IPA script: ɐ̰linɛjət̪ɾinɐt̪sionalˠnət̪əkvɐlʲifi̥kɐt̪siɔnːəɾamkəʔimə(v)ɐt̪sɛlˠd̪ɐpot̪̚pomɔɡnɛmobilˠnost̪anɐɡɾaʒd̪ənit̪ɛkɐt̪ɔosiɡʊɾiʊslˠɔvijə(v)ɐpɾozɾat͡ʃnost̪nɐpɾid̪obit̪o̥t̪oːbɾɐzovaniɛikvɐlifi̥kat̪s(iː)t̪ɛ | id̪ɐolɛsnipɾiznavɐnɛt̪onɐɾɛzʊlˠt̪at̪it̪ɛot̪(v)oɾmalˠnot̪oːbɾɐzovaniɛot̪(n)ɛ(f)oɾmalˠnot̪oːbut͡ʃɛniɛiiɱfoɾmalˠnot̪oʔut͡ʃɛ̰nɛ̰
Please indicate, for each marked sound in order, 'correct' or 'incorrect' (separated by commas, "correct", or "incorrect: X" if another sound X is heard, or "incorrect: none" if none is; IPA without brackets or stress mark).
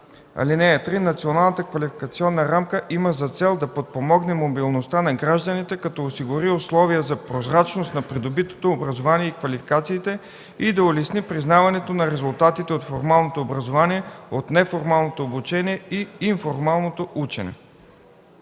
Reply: incorrect: z, incorrect: z, correct, incorrect: f, correct, correct